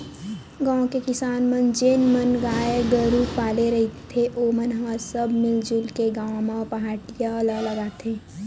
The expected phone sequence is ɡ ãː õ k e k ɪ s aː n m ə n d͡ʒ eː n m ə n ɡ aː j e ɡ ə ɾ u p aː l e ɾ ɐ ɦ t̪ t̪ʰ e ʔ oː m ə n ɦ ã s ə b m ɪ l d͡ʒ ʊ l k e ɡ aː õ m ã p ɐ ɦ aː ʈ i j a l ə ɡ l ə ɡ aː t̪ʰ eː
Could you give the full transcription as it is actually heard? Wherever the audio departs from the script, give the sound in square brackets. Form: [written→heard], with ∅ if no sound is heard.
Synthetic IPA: ɡ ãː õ k e k ɪ s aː n m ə n d͡ʒ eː n m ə n ɡ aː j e ɡ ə ɾ u p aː l e ɾ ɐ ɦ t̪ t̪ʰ e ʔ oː m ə n ɦ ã s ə b m ɪ l d͡ʒ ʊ l k e ɡ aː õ m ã p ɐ ɦ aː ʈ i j a l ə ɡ l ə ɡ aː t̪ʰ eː